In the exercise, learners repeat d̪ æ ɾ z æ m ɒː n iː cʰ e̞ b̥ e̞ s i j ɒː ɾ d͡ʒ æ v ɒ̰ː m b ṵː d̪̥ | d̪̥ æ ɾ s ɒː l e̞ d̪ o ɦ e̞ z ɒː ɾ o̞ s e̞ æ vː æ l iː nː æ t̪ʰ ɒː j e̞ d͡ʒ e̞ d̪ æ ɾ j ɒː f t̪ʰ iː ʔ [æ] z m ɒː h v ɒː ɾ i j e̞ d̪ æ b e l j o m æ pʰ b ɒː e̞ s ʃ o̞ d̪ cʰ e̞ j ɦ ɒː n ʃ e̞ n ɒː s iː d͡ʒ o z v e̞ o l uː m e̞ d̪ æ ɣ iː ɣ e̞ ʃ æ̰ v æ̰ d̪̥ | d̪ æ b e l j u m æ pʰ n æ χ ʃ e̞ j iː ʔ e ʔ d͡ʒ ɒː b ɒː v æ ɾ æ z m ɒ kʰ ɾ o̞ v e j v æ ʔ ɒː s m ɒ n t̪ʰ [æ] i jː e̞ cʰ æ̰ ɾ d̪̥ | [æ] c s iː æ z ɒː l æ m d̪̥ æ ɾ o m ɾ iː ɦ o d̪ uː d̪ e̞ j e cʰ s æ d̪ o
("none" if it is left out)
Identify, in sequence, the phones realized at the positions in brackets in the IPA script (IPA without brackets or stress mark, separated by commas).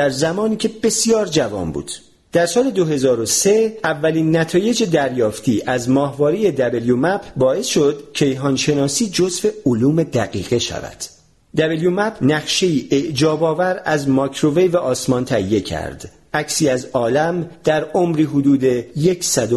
æ, æ, æ